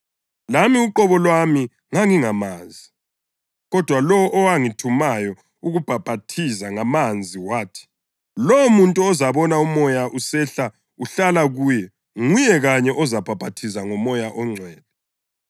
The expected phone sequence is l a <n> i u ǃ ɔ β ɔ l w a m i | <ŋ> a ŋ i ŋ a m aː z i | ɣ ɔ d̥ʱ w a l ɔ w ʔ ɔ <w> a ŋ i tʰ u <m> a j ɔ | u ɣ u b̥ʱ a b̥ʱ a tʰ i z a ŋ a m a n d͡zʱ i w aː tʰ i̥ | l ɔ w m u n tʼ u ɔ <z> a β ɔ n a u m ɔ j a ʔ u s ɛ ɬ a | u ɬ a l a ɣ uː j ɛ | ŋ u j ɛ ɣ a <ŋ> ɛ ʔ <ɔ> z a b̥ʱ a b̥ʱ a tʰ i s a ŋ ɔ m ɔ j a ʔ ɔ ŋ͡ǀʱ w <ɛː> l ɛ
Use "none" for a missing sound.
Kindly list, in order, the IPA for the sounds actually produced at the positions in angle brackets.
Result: m, ŋ, w, m, z, ɲ, ɔ, ɛː

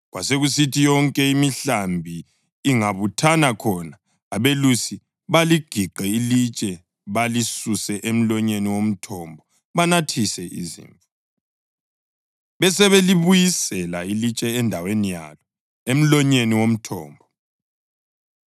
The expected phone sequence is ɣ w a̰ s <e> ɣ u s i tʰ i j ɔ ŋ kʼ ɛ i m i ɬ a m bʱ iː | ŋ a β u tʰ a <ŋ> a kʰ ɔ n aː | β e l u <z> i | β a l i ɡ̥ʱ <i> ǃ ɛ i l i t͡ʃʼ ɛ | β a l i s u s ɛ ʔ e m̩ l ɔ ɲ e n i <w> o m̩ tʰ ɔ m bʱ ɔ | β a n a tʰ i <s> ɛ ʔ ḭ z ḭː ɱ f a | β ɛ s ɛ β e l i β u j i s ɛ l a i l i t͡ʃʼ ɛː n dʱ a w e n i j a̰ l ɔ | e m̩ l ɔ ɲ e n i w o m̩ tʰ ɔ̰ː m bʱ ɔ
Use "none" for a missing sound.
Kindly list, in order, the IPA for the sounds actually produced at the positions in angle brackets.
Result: e, n, s, i, w, s

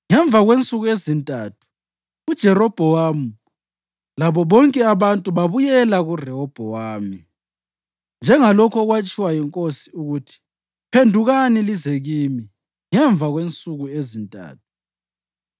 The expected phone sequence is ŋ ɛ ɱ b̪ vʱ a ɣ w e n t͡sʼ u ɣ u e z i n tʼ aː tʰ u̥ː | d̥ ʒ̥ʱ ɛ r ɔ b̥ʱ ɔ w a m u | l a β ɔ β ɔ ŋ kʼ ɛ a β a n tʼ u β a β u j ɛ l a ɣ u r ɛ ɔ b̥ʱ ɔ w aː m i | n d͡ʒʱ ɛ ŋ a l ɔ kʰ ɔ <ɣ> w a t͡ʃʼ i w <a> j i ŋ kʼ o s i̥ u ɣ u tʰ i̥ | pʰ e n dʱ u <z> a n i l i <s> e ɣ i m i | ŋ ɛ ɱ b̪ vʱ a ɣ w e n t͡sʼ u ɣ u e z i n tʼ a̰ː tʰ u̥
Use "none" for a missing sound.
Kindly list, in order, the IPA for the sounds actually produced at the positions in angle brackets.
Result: ɣ, a, ɣ, z

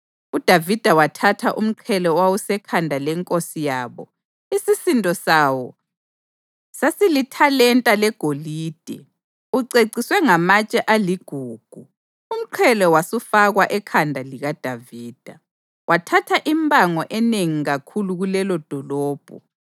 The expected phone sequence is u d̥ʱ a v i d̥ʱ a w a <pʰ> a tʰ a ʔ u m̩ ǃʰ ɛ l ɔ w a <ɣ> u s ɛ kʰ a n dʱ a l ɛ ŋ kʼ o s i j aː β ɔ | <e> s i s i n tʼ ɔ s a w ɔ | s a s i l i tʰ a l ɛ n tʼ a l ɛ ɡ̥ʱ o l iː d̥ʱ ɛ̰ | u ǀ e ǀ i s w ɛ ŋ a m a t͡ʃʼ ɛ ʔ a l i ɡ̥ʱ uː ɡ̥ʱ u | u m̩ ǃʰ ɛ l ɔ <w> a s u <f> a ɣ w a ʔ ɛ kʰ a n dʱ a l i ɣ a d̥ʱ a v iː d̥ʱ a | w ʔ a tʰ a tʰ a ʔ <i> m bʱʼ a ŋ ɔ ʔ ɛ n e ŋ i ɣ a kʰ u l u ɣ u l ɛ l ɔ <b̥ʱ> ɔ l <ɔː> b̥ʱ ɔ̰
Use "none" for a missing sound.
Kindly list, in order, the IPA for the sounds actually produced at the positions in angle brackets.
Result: tʰ, w, i, w, f, i, d̥ʱ, ɔː

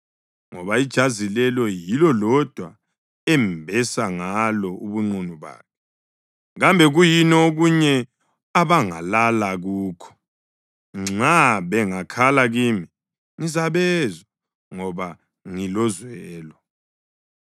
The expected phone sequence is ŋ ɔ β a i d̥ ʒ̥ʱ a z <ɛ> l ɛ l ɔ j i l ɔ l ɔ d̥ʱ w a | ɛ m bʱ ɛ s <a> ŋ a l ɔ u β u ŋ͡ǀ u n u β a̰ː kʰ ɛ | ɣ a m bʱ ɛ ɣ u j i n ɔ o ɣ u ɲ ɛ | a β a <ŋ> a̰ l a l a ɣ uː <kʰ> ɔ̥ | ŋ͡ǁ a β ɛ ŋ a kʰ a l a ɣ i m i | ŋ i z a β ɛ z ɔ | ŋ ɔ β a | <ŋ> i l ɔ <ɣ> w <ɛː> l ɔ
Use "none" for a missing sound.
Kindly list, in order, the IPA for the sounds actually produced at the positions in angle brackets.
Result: i, a, ŋ, kʰ, ŋ, z, ɛː

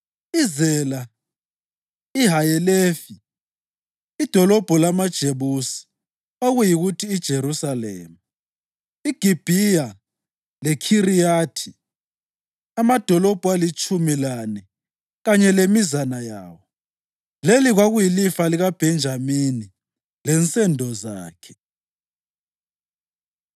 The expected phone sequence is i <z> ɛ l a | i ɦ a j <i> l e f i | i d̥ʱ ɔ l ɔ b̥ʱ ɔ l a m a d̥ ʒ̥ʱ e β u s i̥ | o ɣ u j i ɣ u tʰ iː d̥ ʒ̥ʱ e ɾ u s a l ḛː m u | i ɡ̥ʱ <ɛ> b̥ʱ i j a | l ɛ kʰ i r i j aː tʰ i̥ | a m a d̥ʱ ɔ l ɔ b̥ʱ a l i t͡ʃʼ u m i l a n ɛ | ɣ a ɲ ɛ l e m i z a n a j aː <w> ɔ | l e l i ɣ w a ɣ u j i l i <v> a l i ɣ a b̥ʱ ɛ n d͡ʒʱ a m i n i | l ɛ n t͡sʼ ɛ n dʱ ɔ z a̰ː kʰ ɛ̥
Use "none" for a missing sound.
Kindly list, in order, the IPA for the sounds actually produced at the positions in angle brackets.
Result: z, ɛ, i, w, f

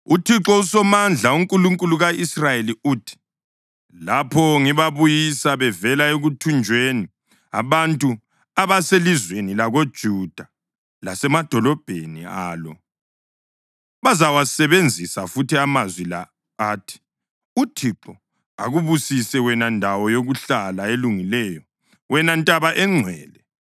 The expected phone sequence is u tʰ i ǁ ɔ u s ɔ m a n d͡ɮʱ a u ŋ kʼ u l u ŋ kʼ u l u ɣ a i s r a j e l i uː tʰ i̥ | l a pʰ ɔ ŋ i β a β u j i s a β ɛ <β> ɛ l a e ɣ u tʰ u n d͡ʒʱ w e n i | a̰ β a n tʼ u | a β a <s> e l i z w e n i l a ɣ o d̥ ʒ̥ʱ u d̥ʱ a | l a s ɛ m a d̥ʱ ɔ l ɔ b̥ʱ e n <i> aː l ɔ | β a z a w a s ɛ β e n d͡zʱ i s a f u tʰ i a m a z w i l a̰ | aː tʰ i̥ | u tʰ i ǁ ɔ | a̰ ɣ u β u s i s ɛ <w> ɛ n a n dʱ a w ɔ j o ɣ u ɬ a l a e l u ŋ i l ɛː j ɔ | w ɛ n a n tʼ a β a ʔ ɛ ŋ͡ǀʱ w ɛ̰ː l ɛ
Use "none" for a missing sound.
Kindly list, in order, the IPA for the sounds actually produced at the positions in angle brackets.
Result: v, s, i, w

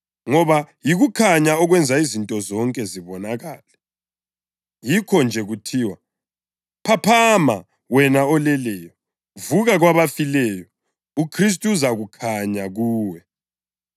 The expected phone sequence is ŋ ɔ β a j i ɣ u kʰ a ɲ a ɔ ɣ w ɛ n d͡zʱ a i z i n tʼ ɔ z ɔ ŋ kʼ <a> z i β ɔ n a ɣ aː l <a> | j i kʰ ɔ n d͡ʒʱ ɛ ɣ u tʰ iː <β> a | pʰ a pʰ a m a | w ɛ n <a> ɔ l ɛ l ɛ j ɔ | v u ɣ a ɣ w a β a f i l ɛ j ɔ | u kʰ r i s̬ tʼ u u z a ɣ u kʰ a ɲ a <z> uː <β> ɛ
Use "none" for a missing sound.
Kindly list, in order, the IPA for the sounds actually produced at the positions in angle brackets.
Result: ɛ, ɛ, w, a, ɣ, w

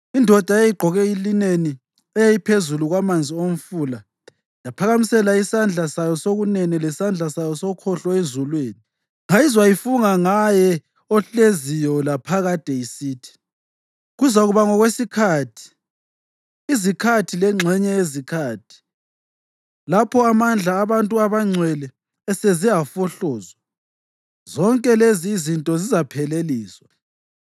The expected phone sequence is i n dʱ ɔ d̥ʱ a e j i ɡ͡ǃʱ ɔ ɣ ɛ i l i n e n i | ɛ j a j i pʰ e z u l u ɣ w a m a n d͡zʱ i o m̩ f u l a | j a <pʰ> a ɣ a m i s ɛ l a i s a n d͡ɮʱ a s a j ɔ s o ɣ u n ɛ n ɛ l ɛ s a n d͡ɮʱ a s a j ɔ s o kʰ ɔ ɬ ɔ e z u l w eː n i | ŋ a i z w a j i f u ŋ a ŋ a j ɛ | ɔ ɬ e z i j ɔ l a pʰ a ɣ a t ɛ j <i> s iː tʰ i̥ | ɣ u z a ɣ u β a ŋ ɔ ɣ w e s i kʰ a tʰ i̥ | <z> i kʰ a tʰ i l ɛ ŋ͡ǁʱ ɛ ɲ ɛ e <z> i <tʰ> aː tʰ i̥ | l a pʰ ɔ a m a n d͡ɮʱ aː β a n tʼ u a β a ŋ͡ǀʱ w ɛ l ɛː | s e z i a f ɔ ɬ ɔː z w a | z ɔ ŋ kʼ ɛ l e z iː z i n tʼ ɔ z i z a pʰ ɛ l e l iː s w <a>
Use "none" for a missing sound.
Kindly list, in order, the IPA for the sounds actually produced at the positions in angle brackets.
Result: pʰ, i, z, z, kʰ, a

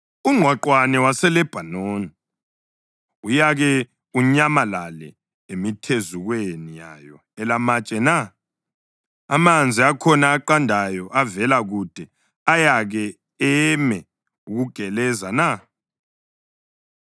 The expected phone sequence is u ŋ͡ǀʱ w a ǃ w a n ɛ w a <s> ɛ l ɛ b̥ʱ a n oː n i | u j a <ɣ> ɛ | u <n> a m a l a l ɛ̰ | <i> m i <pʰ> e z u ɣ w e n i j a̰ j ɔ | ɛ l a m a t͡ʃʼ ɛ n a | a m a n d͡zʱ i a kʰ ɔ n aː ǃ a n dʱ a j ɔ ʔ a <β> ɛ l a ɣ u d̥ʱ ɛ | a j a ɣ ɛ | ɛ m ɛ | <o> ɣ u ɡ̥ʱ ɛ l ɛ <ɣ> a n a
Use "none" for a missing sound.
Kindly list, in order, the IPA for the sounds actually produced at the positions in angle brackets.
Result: s, ɣ, ɲ, e, tʰ, v, u, z

